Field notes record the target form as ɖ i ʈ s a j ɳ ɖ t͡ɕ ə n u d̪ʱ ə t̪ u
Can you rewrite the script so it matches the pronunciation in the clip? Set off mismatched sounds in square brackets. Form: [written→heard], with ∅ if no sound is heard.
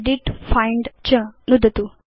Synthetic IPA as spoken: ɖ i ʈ [s→f] a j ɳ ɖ t͡ɕ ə n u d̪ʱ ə t̪ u